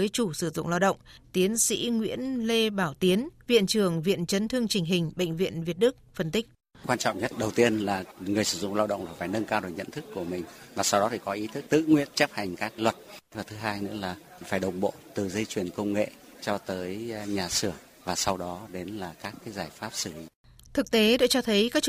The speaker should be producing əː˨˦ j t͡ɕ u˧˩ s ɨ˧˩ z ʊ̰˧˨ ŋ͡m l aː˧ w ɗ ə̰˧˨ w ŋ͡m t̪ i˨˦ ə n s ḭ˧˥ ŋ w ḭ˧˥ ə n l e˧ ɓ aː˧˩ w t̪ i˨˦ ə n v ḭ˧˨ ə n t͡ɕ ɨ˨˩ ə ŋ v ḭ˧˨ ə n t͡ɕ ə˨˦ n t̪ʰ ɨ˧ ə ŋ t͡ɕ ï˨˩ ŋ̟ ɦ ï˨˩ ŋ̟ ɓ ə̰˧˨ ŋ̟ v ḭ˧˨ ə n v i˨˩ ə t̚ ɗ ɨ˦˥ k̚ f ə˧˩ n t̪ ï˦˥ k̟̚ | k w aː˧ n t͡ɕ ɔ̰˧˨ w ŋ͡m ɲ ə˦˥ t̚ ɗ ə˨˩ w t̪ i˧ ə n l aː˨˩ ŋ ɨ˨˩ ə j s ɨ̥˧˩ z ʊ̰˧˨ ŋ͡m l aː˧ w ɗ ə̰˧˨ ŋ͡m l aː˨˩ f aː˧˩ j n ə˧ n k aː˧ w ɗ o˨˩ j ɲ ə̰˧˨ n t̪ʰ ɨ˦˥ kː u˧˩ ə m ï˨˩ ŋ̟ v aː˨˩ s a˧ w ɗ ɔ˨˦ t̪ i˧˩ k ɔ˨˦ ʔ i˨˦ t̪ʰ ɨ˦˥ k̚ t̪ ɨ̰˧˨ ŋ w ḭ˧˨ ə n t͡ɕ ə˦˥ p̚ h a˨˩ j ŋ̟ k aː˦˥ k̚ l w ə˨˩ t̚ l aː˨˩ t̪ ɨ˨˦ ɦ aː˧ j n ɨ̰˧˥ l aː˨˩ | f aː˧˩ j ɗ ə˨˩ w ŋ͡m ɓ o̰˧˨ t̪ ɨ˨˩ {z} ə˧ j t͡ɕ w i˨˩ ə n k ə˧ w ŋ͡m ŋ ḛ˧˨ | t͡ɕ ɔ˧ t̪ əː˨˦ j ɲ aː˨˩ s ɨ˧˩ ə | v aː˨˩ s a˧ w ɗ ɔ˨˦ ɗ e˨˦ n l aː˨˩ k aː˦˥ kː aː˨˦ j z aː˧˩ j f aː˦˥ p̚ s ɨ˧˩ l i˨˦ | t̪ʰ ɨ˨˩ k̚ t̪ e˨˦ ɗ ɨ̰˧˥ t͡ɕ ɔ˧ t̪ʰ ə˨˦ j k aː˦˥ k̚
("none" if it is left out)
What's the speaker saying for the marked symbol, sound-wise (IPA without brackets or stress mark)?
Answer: z